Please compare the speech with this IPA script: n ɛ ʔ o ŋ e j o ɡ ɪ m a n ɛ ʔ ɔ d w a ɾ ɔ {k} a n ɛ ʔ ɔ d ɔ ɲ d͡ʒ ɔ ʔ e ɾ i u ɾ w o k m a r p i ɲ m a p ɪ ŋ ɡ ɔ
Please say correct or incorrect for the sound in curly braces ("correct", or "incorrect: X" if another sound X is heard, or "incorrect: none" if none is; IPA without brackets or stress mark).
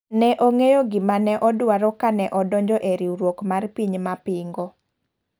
correct